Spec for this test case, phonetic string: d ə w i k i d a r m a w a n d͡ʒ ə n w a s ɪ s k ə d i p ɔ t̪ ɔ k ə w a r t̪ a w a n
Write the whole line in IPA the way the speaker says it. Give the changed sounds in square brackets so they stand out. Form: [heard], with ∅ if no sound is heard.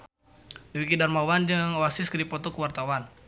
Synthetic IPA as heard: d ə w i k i d a r m a w a n d͡ʒ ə [ŋ] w a s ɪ s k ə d i p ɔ t̪ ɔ k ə w a r t̪ a w a n